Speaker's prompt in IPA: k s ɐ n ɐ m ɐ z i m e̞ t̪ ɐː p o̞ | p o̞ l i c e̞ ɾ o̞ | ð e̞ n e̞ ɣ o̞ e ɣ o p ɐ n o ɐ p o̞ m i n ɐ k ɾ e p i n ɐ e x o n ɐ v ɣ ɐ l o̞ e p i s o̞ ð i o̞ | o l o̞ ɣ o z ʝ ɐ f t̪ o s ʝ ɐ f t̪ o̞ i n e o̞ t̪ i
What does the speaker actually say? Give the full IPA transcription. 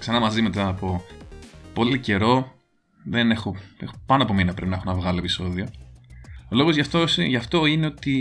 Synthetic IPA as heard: k s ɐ n ɐ m ɐ z i m e̞ t̪ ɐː p o̞ | p o̞ l i c e̞ ɾ o̞ | ð e̞ n e̞ x o̞ e x o p ɐ n o ɐ p o̞ m i n ɐ p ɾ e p i n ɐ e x o n ɐ v ɣ ɐ l o̞ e p i s o̞ ð i o̞ | o l o̞ ɣ o z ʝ ɐ f t̪ o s ʝ ɐ f t̪ o̞ i n e o̞ t̪ i